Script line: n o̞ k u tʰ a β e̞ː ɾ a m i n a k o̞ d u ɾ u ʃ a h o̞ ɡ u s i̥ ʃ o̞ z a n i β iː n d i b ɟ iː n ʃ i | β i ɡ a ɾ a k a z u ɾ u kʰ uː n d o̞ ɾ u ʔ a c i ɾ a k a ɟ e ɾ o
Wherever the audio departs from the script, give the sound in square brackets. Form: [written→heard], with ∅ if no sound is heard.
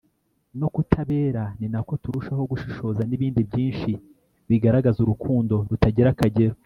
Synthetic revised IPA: n o̞ k u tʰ a β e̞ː ɾ a [m→n] i n a k o̞ [d→t] u ɾ u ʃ a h o̞ ɡ u [s→ʃ] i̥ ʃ o̞ z a n i β iː n d i b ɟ iː n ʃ i | β i ɡ a ɾ a [k→ɡ] a z u ɾ u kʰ uː n d o̞ ɾ u [ʔ→t] a [c→ɟ] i ɾ a k a ɟ e ɾ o